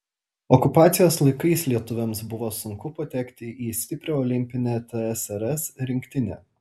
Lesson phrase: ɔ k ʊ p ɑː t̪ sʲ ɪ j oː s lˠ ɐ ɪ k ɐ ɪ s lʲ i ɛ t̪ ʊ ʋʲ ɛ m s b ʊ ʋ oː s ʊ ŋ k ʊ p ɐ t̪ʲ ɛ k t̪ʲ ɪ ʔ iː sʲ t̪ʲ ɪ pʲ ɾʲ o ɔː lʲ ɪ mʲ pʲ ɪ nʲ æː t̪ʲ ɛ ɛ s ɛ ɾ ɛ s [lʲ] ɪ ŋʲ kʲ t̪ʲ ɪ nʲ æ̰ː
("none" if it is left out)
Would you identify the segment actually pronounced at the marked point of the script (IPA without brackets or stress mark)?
ɾʲ